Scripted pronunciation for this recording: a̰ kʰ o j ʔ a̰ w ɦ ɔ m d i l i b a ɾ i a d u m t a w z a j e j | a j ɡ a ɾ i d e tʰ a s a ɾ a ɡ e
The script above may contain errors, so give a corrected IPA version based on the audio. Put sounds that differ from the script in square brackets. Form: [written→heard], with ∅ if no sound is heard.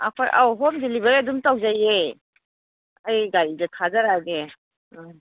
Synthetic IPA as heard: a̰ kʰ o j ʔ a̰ w ɦ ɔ m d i l i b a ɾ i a d u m t a w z a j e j | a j ɡ a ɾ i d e tʰ a [s→z] a ɾ a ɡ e